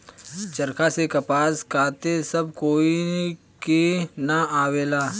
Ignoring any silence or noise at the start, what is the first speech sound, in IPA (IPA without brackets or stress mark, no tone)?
t͡ʃ